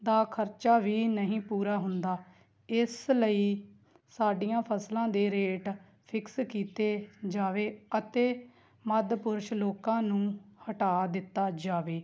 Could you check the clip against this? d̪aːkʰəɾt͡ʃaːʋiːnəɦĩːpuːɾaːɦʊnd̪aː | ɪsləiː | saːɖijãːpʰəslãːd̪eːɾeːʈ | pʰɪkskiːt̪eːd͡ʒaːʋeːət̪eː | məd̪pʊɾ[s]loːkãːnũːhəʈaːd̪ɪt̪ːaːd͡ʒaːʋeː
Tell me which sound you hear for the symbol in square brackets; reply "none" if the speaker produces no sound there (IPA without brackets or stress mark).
ʃ